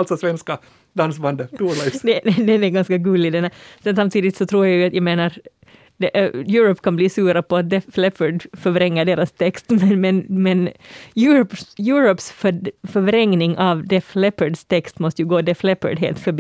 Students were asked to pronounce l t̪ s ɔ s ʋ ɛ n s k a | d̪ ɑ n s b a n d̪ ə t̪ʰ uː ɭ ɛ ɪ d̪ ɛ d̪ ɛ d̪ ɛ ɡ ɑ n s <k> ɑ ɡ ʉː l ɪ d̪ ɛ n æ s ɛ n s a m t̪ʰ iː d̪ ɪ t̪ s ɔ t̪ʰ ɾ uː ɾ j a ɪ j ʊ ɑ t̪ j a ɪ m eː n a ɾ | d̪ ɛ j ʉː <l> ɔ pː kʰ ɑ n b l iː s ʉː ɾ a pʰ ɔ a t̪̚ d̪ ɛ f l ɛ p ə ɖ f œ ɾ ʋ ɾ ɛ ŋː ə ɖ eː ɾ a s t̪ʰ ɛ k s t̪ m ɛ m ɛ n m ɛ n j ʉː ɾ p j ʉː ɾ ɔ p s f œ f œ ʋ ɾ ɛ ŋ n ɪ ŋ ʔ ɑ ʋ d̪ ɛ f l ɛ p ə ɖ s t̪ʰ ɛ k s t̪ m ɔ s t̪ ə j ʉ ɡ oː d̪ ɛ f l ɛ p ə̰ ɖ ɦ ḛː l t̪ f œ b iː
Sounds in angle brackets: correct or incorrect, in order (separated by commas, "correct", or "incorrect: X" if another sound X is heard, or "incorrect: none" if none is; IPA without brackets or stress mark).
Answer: correct, incorrect: ɾ